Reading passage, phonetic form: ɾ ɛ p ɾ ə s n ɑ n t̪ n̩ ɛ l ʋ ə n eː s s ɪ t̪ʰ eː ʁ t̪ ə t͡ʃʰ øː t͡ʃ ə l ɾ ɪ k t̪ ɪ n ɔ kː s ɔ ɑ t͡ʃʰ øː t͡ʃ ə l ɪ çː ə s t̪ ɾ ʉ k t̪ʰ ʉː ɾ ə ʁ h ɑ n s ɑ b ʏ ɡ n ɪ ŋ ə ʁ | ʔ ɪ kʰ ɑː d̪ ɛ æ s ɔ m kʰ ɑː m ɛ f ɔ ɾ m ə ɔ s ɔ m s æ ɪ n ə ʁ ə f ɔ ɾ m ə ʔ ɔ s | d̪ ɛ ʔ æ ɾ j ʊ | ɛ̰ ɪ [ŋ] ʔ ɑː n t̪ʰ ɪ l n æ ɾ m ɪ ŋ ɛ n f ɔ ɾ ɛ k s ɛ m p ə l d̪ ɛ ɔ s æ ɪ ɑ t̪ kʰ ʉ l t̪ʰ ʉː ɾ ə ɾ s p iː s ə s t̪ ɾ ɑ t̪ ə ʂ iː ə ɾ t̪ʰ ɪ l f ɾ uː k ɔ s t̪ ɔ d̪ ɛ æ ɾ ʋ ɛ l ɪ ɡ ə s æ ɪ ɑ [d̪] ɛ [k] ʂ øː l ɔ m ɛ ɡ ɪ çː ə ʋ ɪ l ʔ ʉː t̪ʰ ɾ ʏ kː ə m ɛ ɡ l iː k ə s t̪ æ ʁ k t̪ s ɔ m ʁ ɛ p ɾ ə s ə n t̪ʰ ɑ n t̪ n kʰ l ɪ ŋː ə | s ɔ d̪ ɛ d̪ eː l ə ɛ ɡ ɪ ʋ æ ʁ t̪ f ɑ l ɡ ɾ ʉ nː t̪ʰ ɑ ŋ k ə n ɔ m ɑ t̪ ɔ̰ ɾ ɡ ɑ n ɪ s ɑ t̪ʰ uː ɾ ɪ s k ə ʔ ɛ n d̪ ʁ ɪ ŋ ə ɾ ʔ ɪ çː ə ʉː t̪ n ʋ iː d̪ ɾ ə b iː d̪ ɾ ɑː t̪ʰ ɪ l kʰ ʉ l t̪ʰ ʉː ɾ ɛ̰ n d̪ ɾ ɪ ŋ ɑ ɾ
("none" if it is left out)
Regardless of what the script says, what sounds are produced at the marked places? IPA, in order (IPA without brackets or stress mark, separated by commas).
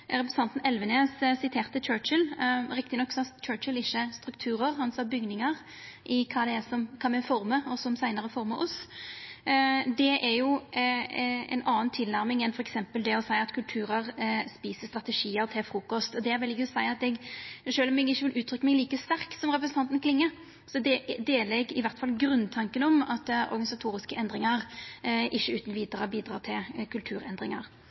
n, t̪, ɡ